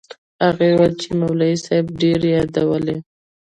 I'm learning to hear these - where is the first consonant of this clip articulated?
velum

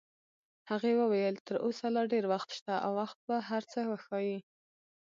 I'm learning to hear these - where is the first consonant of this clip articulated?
throat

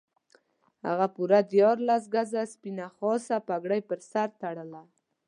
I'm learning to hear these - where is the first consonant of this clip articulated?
throat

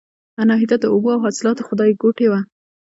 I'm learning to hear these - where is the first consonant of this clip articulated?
tongue tip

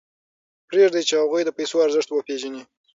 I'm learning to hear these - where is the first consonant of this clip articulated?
lips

